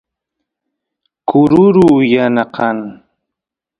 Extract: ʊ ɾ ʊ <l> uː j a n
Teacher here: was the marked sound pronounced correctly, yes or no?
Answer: no